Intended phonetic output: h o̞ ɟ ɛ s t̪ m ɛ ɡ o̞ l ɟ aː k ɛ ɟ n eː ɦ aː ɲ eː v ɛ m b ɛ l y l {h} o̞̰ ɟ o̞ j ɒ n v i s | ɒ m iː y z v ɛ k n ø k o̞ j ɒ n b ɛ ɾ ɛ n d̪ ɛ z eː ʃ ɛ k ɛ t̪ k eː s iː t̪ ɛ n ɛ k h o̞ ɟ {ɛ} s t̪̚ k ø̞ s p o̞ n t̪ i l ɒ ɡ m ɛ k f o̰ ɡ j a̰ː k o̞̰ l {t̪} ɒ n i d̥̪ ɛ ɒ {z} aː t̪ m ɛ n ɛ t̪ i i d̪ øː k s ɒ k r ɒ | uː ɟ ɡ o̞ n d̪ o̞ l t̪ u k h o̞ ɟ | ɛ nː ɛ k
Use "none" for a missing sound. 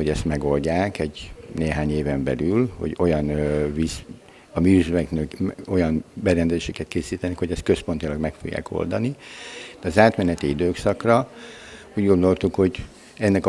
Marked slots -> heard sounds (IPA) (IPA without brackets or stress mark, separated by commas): h, ɛ, d̪, z